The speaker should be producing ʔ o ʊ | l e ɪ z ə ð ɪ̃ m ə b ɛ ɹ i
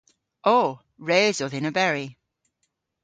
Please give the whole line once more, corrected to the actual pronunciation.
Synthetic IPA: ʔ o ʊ | ɹ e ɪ z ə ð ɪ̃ n ə b ɛ ɹ i

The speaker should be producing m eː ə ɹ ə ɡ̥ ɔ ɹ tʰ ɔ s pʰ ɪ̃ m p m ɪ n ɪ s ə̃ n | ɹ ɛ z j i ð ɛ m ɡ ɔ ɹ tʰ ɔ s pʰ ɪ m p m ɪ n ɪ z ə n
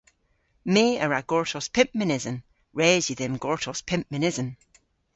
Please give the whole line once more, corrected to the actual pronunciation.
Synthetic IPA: m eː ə ɹ a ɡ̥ ɔ ɹ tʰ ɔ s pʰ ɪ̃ m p m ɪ n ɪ z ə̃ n | ɹ ɛ z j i ð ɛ m ɡ ɔ ɹ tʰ ɔ s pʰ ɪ m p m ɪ n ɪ z ə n

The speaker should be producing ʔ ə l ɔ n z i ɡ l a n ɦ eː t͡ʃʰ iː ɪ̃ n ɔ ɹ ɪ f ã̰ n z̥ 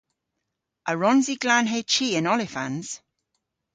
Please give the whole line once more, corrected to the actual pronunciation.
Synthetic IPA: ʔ ə ɹ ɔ n z i ɡ l a n ɦ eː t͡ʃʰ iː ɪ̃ n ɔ l ɪ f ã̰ n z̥

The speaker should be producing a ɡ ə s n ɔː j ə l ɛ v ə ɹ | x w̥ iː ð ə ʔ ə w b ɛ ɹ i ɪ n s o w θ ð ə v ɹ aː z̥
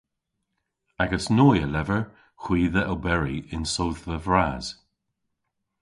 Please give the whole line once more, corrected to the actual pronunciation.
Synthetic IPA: a ɡ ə s n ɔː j ə l ɛ v ə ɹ | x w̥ iː ð ə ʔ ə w b ɛ ɹ i ɪ n s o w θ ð ə v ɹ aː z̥

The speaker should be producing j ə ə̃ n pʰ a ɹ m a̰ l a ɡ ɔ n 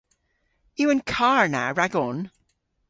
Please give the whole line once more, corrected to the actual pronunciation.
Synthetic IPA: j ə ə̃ n kʰ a ɹ n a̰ ɹ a ɡ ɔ n

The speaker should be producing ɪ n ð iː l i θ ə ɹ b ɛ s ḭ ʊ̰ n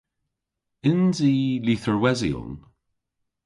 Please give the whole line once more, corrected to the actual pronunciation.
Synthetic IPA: ɪ n z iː l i θ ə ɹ w ɛ z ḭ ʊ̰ n

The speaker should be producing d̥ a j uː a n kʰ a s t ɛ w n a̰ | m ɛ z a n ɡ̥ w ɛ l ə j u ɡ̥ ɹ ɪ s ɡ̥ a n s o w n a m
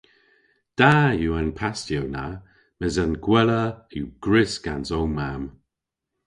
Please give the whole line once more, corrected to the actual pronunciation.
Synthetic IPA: d̥ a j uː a n pʰ a s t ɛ w n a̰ | m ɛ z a n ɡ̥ w ɛ l ə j u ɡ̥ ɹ ɪ s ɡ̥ a n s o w m a m

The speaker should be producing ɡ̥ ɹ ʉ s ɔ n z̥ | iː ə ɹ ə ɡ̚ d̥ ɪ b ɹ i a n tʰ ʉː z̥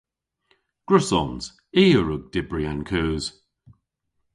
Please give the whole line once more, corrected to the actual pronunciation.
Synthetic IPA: ɡ̥ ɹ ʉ s ɔ n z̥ | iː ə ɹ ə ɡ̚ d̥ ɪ b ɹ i a n kʰ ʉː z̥

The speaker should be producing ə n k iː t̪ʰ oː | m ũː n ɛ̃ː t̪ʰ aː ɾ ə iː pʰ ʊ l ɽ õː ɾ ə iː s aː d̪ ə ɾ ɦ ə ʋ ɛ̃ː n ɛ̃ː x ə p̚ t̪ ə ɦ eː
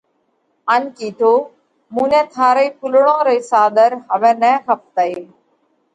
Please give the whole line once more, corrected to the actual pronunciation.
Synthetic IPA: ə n k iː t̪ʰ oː | m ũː n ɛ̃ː t̪ʰ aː ɾ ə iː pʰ ʊ l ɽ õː ɾ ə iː s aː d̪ ə ɾ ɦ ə ʋ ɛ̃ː n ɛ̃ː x ə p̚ t̪ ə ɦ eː

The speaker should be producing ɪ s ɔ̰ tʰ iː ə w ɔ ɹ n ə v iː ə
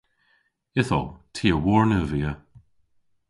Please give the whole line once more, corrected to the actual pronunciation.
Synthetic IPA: ɪ θ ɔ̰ tʰ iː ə w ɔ ɹ n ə v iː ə

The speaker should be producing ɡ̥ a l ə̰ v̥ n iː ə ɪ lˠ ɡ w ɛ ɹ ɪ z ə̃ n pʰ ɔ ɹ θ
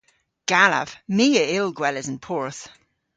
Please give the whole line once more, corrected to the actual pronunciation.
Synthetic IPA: ɡ̥ a l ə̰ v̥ m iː ə ɪ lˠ ɡ w ɛ l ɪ z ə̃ n pʰ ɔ ɹ θ

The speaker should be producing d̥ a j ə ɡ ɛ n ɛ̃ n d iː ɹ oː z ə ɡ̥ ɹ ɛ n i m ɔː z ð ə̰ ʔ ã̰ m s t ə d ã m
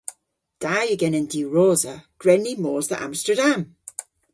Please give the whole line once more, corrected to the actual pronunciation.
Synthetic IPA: d̥ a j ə ɡ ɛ n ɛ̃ n d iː ɹ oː z ə ɡ̥ ɹ ɛ n i m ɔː z ð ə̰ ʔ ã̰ m s t ə d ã m

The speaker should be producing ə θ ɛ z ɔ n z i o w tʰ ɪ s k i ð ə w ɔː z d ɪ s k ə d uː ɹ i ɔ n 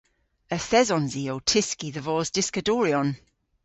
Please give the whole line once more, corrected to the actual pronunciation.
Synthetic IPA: ə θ ɛ z ɔ n z i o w tʰ ɪ s k i ð ə v ɔː z d ɪ s k ə d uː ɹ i ɔ n

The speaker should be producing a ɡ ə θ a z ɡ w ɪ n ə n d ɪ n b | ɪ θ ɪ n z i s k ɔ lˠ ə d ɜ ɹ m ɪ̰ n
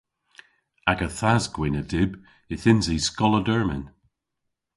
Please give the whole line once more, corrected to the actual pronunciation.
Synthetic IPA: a ɡ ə θ a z ɡ w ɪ n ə d ɪ b | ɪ θ ɪ n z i s k ɔ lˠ ə d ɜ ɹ m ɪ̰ n

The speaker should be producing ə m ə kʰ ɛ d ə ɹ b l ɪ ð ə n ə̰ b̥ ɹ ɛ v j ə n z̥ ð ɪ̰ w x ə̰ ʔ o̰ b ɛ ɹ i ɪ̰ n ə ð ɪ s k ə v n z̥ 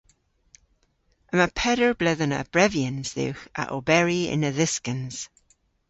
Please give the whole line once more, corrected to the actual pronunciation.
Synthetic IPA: ə m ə pʰ ɛ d ə ɹ b l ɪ ð ə n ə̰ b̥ ɹ ɛ v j ə n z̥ ð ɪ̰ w x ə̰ ʔ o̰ b ɛ ɹ i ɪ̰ n ə ð ɪ s k ə n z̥

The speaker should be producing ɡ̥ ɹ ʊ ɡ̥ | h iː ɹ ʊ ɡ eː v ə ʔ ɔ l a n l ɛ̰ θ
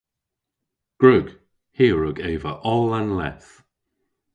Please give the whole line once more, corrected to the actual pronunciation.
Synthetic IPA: ɡ̥ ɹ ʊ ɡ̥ | h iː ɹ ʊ ɡ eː v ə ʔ ɔ l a n l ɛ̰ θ

